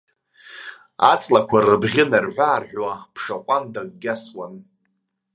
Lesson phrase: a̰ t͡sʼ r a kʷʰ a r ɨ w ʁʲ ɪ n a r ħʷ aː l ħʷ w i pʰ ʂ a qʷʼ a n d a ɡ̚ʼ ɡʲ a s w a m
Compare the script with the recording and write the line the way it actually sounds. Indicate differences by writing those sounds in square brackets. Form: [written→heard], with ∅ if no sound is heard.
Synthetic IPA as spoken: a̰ t͡sʼ [r→l] a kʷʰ a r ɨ [w→b] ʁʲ ɪ n a r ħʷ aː [l→r] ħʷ w [i→a] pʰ ʂ a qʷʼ a n d a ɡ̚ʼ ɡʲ a s w a [m→n]